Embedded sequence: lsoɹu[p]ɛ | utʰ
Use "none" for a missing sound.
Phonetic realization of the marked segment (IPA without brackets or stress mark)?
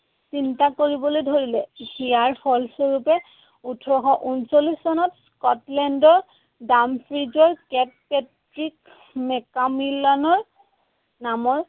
p